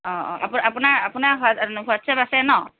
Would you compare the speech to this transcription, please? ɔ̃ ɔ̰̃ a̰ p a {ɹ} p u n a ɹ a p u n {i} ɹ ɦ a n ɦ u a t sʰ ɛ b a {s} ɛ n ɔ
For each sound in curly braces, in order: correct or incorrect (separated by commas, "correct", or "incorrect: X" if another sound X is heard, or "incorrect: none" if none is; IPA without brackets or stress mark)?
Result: incorrect: none, incorrect: a, correct